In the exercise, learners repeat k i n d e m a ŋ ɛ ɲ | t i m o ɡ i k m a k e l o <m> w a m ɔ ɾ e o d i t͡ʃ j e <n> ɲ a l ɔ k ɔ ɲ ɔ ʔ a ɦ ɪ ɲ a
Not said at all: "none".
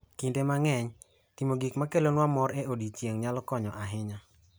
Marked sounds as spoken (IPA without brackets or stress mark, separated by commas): n, ŋ